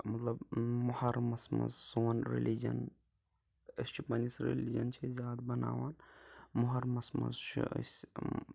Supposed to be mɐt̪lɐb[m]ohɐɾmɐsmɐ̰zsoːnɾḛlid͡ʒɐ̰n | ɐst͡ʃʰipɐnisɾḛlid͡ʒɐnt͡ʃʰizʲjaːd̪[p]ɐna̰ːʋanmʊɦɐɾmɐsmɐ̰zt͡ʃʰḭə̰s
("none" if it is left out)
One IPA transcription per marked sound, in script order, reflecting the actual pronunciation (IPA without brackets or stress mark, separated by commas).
m, b